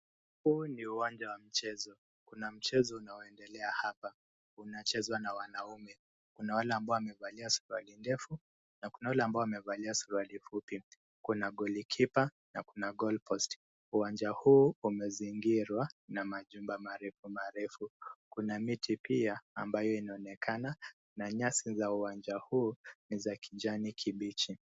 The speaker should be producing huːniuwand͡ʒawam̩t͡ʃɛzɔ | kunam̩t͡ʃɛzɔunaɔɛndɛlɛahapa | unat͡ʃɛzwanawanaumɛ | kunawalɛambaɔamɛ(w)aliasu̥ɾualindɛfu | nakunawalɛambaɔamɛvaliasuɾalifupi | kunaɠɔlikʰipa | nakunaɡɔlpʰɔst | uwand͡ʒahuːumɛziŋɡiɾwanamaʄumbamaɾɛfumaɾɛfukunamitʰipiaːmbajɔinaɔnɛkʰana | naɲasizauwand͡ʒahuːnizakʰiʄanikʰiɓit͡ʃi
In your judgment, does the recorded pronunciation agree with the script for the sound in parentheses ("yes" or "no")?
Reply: no